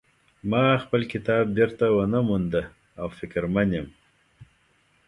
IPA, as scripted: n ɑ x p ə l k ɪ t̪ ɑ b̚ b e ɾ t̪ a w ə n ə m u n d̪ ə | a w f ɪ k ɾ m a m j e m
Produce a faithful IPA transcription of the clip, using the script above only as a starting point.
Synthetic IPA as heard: m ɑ x p ə l k ɪ t̪ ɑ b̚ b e ɾ t̪ a w ə n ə m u n d̪ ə | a w f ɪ k ɾ m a n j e m

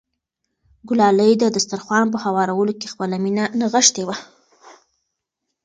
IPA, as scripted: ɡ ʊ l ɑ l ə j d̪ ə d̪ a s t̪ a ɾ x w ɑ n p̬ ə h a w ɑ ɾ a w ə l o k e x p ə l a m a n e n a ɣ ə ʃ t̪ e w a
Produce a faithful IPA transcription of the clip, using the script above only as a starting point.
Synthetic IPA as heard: ɡ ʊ l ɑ l ə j d̪ ə d̪ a s t̪ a ɾ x w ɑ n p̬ ə h a w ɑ ɾ a w ə l o k e x p ə l a m i n a n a ɣ ə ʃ t̪ e w a

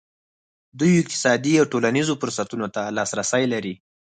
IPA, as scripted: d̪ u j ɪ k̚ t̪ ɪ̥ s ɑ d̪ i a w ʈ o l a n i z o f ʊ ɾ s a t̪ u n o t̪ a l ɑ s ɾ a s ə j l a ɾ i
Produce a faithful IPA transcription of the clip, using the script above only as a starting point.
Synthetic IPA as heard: d̪ u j ɪ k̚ t̪ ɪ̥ s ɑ d̪ i a w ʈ o l a n i z o f ʊ ɾ s a t̪ u n o t̪ a l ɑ s ɾ a s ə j l a ɾ i

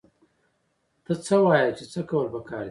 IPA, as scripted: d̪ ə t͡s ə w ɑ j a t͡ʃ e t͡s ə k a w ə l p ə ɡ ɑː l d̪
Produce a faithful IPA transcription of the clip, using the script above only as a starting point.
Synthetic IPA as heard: t̪ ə t͡s ə w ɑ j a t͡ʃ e t͡s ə k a w ə l p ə k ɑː ɾ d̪

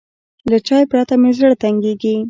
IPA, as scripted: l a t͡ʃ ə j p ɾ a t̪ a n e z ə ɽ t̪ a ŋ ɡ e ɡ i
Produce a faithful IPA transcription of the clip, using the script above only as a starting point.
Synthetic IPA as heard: l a t͡ʃ ɑ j p ɾ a t̪ a m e z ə ɽ t̪ a ŋ ɡ e ɡ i

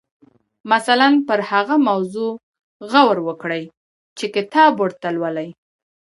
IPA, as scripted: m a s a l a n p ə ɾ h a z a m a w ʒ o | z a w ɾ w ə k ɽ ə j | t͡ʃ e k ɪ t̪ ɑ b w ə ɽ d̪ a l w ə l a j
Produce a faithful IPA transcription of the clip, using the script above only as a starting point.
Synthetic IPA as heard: m a s a l a n p ə ɾ h a ɣ a m a w z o | ɣ a w ɾ w ə k ɽ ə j | t͡ʃ e k ɪ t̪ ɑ b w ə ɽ t̪ a l w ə l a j

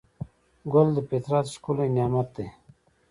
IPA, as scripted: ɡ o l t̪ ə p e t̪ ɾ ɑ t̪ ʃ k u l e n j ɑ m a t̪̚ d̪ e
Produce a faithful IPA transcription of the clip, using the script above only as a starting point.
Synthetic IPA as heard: ɡ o l d̪ ə p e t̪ ɾ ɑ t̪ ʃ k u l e n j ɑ m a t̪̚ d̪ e

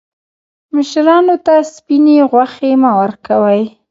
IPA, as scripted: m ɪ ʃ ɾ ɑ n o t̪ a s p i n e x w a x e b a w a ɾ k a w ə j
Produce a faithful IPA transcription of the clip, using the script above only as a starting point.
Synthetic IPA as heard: m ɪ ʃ ɾ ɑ n o t̪ a s p i n e ɣ w a x e m a w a ɾ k a w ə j

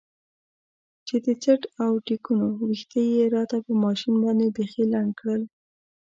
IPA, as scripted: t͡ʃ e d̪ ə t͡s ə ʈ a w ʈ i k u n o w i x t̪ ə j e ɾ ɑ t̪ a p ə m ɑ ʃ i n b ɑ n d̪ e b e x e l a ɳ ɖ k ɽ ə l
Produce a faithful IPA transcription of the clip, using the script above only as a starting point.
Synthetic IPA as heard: t͡ʃ e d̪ ə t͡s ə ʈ a w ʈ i k u n o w i x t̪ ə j e ɾ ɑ t̪ a p ə m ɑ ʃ i n b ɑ n d̪ e b e x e l a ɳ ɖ k ɽ ə l

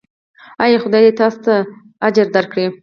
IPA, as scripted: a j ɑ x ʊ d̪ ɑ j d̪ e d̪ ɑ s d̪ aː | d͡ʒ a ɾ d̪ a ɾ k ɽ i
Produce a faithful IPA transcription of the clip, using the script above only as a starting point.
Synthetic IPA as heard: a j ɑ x ʊ d̪ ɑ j d̪ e t̪ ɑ s t̪ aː | d͡ʒ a ɾ d̪ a ɾ k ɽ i

